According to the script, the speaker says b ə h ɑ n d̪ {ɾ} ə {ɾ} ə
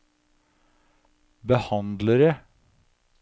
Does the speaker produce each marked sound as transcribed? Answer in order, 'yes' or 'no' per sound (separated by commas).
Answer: no, yes